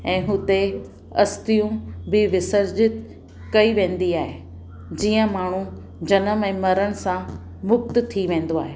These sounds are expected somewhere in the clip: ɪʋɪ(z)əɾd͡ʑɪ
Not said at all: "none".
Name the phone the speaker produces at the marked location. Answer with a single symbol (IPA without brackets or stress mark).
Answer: s